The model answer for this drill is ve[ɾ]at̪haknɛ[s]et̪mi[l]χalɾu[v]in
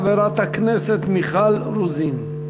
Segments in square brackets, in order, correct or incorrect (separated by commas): correct, correct, incorrect, incorrect